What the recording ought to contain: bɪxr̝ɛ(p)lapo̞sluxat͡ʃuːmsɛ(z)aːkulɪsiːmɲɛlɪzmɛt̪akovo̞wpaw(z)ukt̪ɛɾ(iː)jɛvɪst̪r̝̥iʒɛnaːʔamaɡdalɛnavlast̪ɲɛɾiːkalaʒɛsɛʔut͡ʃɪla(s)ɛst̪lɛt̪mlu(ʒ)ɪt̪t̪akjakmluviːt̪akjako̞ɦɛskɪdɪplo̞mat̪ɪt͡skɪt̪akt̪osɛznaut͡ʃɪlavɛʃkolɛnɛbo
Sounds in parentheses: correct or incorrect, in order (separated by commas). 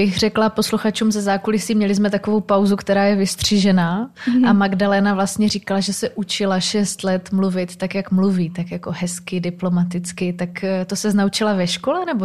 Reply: incorrect, correct, correct, incorrect, incorrect, incorrect